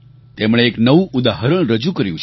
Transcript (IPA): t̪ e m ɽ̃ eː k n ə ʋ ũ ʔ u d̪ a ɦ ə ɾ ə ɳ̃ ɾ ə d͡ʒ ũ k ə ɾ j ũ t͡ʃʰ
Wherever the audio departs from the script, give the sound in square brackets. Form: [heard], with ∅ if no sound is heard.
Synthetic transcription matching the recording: t̪ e m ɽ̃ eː k n ə ʋ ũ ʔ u d̪ a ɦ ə ɾ ə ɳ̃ ɾ ə d͡ʒ [u] k ə ɾ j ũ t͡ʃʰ